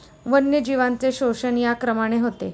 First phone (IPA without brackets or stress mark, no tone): ʋ